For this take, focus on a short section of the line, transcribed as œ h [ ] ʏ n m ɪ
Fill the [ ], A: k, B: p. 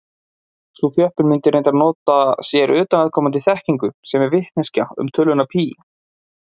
B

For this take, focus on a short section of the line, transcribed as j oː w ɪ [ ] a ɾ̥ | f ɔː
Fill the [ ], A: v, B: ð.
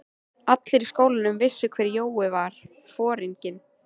A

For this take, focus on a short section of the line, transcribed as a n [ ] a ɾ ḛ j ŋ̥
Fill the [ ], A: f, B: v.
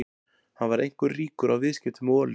B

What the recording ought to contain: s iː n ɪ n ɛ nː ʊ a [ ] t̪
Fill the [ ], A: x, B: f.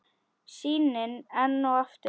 B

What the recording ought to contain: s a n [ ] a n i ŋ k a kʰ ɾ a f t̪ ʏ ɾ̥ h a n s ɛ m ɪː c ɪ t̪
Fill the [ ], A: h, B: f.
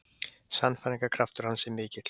B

